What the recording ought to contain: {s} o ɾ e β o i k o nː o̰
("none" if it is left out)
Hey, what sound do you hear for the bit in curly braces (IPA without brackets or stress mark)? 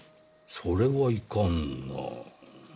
s